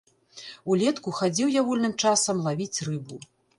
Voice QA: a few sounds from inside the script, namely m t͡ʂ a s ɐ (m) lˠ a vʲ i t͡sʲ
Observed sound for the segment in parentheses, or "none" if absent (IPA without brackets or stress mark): m